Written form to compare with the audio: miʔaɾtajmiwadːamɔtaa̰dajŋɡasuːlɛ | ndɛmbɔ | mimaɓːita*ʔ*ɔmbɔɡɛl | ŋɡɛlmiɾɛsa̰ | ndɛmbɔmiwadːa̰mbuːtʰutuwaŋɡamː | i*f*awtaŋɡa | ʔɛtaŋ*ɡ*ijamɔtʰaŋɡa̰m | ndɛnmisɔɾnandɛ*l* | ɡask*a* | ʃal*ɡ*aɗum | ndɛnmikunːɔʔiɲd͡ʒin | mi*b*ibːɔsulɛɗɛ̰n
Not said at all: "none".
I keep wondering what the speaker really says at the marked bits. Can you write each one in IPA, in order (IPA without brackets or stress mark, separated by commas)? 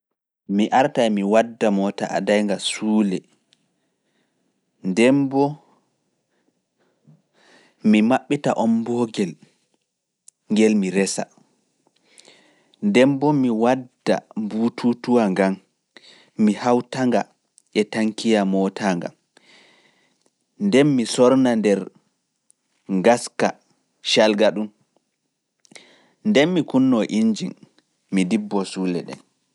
ʔ, h, k, ɾ, a, ɡ, d